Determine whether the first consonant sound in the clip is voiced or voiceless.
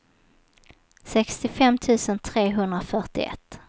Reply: voiceless